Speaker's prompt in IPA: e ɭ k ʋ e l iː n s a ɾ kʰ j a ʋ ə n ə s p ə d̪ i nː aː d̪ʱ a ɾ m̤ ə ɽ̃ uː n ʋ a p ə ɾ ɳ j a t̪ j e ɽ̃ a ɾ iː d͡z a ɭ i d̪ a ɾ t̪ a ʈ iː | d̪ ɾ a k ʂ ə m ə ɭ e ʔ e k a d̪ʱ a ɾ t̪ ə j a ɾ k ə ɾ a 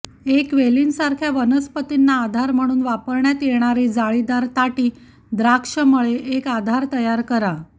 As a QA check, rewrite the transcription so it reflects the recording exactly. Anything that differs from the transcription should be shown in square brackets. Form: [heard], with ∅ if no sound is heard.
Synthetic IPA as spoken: e [∅] k ʋ e l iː n s a ɾ kʰ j a ʋ ə n ə s p ə [t̪] i nː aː d̪ʱ a ɾ m̤ ə ɽ̃ uː n ʋ a p ə ɾ ɳ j a t̪ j e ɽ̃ a ɾ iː d͡z a ɭ i d̪ a ɾ t̪ a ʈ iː | d̪ ɾ a k ʂ ə m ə ɭ e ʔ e k a d̪ʱ a ɾ t̪ ə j a ɾ k ə ɾ a